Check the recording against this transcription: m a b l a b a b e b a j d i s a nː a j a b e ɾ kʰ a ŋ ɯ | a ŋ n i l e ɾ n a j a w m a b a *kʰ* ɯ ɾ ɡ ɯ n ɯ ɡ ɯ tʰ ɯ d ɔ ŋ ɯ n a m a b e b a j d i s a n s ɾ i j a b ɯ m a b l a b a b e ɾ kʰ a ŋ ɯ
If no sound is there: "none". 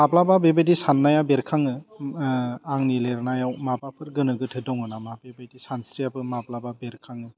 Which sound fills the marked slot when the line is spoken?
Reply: pʰ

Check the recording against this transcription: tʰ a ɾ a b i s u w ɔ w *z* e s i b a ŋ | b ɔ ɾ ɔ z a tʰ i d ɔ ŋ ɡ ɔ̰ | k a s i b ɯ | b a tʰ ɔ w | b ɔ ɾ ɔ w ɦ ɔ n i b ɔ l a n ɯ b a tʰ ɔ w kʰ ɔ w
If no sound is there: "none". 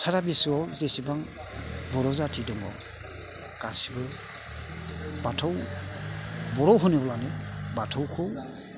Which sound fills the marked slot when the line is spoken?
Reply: z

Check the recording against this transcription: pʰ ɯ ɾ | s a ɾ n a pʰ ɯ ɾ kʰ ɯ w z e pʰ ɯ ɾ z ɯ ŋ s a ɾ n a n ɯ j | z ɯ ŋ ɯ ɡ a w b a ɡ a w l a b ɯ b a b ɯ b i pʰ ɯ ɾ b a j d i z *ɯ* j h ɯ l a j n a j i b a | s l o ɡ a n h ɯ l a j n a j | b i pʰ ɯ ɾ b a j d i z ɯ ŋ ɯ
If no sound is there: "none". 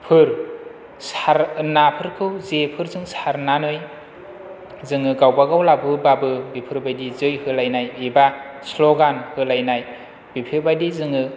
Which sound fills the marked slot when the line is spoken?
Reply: ɯ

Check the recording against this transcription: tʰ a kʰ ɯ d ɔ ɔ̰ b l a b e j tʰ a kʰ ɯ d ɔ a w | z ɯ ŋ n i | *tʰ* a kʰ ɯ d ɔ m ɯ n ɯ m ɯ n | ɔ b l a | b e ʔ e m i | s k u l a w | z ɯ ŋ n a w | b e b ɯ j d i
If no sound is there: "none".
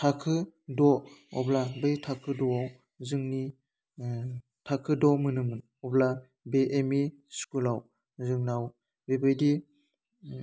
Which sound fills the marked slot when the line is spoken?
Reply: tʰ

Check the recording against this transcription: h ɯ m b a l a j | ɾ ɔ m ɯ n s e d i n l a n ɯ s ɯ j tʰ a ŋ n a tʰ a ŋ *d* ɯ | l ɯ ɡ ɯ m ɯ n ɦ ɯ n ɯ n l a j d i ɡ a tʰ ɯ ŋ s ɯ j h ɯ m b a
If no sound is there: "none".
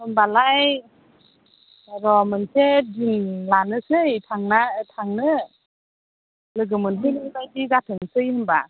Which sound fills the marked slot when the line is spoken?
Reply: n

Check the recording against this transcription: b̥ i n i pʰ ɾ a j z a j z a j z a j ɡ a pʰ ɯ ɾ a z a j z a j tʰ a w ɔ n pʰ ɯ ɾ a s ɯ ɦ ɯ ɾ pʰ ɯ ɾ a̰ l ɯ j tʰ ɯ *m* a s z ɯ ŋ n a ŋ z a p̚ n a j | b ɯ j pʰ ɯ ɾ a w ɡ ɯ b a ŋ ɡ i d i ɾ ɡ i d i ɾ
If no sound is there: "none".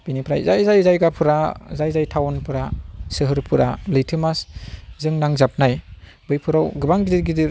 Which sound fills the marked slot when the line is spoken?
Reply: m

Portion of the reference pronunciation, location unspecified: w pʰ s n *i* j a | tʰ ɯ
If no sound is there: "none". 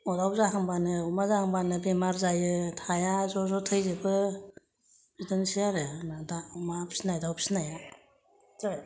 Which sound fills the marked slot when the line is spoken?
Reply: a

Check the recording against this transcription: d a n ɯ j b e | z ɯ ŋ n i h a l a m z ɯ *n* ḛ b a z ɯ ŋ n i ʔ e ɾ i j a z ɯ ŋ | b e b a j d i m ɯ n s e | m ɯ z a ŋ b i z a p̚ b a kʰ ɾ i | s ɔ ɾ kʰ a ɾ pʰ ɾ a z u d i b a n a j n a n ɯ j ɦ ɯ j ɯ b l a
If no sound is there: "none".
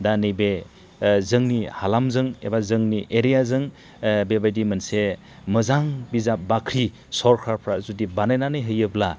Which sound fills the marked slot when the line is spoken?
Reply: ŋ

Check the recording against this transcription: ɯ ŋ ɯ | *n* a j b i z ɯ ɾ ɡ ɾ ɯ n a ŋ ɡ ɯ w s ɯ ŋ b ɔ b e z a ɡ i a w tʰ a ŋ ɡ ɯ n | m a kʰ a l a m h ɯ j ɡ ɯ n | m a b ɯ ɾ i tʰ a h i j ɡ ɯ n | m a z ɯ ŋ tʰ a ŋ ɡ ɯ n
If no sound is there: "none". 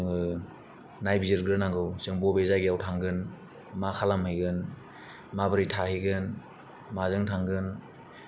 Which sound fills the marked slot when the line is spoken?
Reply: n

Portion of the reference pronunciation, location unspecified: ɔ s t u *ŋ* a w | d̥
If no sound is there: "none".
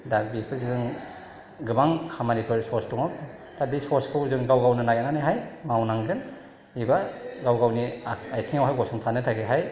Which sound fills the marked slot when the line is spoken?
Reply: ŋ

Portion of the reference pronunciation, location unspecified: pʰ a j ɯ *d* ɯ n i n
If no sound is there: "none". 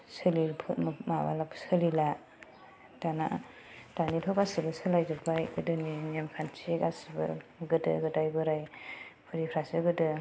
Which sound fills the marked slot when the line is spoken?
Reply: d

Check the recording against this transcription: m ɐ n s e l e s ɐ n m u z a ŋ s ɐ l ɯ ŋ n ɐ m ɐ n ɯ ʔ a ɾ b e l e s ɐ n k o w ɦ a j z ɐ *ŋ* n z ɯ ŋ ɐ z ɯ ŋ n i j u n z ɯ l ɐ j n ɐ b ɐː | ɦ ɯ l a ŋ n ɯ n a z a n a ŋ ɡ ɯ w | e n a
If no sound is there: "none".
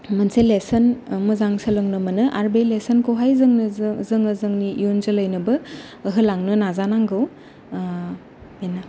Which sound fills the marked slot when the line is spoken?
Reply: ŋ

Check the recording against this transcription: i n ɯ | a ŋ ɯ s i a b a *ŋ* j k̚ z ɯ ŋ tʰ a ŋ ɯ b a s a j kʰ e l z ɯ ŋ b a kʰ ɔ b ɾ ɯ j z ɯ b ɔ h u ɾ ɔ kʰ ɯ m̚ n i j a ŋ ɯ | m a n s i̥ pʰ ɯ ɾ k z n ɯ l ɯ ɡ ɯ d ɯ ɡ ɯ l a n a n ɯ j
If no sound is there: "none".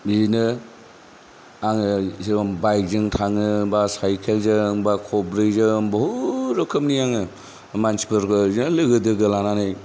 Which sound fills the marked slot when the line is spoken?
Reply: none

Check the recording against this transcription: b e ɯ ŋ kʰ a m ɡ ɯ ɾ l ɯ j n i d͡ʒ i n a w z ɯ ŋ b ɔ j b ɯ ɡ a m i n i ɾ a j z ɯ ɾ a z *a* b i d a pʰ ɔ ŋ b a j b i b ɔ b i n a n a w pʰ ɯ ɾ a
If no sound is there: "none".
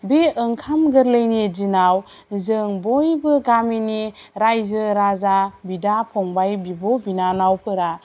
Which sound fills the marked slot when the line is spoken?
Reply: a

